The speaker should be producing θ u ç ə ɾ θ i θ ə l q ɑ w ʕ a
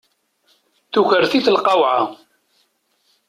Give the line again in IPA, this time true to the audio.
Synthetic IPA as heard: θ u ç ə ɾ θ i θ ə l q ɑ w ʕ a